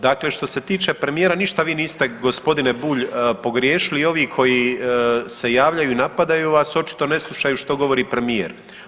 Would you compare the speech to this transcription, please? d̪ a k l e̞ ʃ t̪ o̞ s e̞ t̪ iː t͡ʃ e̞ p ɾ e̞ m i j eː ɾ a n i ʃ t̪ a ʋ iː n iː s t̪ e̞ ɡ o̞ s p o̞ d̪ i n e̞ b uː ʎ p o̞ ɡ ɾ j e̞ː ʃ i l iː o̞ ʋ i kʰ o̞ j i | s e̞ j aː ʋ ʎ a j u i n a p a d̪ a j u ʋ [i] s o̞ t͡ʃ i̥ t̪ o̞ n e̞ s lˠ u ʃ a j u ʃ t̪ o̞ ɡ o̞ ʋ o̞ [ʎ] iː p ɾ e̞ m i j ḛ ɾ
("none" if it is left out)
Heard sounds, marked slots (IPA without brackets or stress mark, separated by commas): a, ɾ